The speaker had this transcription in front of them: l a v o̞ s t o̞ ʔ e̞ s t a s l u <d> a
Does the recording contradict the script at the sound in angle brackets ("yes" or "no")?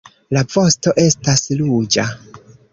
yes